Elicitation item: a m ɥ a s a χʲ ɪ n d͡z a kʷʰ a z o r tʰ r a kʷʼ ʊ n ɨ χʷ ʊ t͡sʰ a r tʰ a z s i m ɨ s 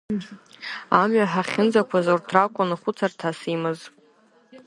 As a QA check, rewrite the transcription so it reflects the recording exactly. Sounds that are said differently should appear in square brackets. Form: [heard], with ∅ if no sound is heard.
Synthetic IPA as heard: a m ɥ a [ħ] a χʲ ɪ n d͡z a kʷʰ a z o r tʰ r a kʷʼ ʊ n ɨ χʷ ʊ t͡sʰ a r tʰ a [∅] s i m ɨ [z]